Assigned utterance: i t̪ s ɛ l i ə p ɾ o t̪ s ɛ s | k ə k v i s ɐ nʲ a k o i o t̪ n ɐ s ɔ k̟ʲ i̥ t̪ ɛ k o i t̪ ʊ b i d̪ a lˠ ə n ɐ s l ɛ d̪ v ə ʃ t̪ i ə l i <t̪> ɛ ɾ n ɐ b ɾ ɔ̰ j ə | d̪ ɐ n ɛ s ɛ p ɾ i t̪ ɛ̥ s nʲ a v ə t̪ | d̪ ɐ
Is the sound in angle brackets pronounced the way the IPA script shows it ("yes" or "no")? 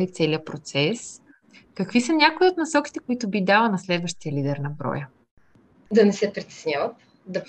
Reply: no